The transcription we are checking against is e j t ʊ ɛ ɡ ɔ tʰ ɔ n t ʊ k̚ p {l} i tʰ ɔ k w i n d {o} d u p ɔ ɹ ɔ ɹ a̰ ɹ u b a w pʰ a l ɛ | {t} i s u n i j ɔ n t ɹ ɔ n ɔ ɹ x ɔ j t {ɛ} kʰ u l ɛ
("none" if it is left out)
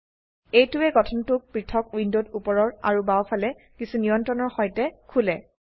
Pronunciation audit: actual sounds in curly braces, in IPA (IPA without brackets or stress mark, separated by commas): ɹ, o, k, ɛ